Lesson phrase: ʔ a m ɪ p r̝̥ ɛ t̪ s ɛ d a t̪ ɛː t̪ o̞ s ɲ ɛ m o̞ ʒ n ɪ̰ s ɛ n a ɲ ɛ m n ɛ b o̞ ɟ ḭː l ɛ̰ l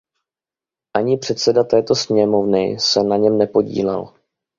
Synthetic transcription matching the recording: ʔ a ɲ ɪ p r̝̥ ɛ t̪ s ɛ d a t̪ ɛː t̪ o̞ s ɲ ɛ m o̞ v n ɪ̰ s ɛ n a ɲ ɛ m n ɛ p o̞ ɟ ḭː l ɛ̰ l